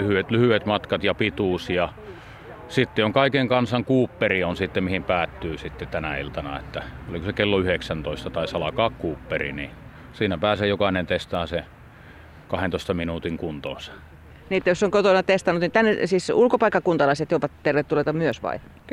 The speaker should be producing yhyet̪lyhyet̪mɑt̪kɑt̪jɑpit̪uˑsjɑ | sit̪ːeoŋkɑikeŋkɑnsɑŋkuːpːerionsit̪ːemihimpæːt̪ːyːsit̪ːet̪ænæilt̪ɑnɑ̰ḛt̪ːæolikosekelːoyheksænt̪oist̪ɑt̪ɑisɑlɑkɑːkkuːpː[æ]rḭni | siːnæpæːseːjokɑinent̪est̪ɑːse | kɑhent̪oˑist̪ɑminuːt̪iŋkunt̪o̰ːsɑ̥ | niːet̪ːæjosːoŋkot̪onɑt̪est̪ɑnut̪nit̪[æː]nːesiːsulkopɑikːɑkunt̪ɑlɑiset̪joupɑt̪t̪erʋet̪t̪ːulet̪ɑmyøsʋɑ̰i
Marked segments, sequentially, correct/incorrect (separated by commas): incorrect, incorrect